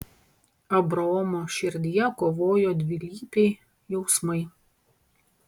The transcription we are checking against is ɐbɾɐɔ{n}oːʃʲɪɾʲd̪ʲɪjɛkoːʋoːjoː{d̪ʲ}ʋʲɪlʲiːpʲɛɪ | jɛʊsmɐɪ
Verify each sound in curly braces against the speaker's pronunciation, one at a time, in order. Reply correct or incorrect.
incorrect: m, correct

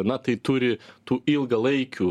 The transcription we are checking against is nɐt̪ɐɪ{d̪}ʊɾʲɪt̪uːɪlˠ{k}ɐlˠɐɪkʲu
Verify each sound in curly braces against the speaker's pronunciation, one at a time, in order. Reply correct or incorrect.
incorrect: t̪, incorrect: ɡ

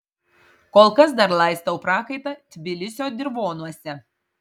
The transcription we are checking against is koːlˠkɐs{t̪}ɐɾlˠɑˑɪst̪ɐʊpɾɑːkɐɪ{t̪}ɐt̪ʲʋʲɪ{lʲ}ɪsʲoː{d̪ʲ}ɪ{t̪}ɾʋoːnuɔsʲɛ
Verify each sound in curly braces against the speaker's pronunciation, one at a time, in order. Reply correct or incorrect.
incorrect: d̪, correct, correct, correct, incorrect: none

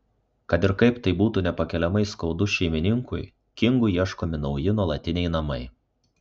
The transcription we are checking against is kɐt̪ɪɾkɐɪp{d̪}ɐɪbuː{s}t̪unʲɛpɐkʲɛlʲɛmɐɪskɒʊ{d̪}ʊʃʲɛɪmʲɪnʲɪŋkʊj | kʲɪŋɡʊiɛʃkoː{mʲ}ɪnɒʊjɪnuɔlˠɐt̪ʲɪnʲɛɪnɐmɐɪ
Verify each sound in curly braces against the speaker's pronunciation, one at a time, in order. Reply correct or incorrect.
incorrect: t̪, incorrect: none, correct, correct

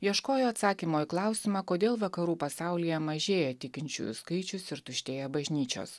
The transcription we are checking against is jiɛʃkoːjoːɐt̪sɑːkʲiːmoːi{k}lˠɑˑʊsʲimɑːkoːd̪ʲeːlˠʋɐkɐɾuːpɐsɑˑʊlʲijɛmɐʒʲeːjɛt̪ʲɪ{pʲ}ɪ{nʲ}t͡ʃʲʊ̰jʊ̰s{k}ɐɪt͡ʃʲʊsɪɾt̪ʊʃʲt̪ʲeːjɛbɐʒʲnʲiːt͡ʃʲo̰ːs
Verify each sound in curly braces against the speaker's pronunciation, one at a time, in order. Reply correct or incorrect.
correct, incorrect: kʲ, correct, correct

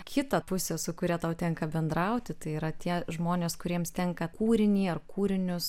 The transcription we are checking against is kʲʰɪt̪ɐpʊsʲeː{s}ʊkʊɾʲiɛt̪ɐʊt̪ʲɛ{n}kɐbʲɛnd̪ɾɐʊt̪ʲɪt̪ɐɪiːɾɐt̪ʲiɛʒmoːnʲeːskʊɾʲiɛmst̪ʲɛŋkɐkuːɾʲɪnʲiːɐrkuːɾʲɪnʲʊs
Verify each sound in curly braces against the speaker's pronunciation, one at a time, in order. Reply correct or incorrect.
correct, incorrect: ŋ

